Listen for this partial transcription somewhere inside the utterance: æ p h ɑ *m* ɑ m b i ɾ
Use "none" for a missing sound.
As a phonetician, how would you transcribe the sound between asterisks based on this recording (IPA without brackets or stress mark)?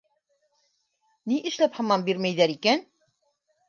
m